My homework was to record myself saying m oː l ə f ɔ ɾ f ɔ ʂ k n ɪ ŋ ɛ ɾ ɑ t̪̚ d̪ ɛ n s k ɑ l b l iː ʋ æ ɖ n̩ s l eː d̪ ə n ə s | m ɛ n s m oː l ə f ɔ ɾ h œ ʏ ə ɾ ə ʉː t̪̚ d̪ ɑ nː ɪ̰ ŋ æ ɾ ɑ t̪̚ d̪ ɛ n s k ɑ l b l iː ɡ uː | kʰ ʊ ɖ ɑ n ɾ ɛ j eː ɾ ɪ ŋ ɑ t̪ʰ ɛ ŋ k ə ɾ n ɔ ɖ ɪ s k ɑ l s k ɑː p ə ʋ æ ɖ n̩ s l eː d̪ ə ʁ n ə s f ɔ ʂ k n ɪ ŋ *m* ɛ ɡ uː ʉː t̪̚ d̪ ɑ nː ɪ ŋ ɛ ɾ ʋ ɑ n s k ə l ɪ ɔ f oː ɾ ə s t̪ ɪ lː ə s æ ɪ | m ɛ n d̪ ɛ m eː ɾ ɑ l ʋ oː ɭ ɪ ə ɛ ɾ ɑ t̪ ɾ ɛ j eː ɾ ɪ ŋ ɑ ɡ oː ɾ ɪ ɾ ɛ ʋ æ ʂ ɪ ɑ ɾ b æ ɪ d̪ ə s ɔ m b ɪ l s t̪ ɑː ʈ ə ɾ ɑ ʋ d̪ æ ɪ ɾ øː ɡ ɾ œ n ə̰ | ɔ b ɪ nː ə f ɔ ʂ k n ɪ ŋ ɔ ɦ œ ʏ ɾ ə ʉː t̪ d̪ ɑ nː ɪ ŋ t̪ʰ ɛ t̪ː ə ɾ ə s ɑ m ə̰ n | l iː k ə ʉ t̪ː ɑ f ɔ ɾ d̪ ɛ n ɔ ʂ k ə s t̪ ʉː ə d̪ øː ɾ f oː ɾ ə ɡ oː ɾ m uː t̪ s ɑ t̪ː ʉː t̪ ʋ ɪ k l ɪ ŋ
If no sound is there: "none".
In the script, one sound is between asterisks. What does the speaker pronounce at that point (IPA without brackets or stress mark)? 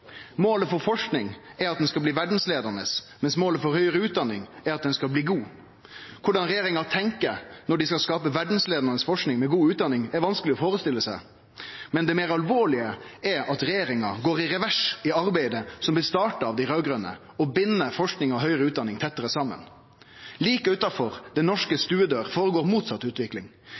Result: m